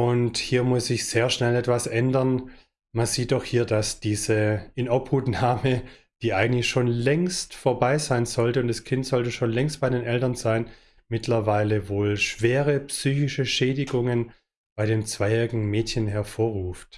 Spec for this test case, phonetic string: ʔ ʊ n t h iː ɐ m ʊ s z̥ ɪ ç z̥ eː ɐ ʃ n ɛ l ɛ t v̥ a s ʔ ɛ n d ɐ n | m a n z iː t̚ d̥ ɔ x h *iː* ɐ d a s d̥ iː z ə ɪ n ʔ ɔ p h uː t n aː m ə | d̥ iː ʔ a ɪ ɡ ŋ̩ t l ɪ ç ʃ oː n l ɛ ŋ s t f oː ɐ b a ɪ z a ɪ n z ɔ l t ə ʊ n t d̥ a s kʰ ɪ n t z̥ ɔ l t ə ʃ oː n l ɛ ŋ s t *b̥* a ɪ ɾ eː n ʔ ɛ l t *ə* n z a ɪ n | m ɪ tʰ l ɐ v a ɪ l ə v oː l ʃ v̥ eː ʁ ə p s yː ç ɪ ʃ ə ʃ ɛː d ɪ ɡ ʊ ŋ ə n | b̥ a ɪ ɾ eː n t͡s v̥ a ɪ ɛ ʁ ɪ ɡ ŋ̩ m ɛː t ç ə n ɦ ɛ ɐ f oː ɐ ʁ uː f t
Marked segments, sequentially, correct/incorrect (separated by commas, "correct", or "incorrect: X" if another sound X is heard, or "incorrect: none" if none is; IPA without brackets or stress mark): correct, correct, incorrect: ɐ